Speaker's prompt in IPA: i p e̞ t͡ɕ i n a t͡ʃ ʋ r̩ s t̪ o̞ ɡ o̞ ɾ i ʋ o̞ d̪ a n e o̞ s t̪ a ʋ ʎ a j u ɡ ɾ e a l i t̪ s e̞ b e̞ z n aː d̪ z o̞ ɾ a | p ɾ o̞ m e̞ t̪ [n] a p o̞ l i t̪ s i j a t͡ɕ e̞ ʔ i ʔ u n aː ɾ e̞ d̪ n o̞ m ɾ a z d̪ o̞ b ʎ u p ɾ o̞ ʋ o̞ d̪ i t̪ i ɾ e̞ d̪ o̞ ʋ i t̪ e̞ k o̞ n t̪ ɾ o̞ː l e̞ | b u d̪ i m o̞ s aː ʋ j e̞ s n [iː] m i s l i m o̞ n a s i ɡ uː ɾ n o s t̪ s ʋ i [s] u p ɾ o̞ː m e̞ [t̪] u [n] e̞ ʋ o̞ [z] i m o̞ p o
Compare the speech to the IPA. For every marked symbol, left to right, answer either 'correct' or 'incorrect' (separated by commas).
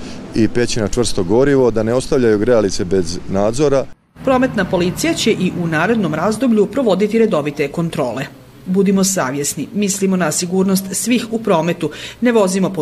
correct, incorrect, incorrect, correct, correct, correct